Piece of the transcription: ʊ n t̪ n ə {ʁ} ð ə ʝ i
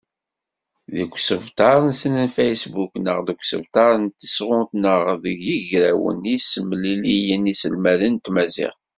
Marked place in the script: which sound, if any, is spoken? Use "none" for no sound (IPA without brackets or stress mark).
ʁ